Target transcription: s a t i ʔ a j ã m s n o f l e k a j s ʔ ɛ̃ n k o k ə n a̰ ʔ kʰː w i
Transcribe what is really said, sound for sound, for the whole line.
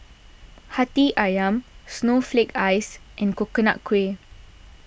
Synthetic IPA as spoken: h a t i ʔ a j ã m s n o f l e k a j s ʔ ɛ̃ n k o k ə n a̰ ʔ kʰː w e

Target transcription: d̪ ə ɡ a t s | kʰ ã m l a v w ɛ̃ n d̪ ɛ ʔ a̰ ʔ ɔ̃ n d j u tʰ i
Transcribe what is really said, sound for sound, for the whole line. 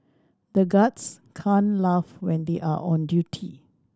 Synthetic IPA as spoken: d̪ ə ɡ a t s | kʰ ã n l a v w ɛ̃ n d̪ e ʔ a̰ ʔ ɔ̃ n d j u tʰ i

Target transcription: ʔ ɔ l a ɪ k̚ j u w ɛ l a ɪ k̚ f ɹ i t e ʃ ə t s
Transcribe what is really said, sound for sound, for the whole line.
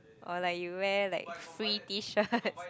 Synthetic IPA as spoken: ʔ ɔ l a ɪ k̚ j u w ɛ l a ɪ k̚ f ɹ i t i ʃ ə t s

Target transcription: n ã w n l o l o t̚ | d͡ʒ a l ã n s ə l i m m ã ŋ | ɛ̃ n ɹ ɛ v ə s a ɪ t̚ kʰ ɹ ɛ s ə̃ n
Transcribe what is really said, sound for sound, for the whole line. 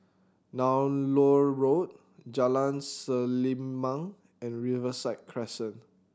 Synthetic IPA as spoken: n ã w n l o ɹ o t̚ | d͡ʒ a l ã n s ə l i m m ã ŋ | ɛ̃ n ɹ i v ə s a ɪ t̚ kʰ ɹ ɛ s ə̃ n

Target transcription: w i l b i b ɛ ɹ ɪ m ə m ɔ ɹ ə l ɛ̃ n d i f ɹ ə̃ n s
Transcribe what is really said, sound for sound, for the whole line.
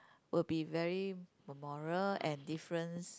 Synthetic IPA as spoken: w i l b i v ɛ ɹ i m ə m ɔ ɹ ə l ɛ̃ n d i f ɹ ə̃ n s

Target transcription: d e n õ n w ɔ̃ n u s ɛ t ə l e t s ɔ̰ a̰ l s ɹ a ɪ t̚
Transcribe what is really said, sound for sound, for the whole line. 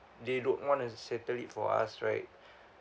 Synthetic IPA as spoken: d e d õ n w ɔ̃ n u s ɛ t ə l i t f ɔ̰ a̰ s ɹ a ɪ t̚

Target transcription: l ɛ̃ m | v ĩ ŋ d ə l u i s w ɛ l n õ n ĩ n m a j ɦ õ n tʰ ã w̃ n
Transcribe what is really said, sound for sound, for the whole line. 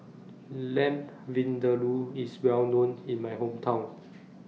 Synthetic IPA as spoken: l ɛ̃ m | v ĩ n d ə l u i s w ɛ l n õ n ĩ n m a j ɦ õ m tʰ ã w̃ n

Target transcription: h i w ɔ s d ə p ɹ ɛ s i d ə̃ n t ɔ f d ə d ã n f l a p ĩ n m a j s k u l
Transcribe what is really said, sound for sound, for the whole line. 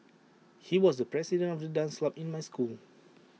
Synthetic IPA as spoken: h i w ɔ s d ə p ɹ ɛ s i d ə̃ n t ɔ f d ə d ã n s l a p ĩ n m a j s k u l

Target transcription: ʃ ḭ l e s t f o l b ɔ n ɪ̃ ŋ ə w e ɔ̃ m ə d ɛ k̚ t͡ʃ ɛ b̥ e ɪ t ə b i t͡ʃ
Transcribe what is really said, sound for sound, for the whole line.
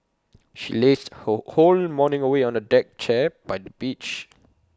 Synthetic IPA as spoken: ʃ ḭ l e s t h o l m ɔ n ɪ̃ ŋ ə w e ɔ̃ n ə d ɛ k̚ t͡ʃ ɛ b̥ a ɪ d ə b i t͡ʃ

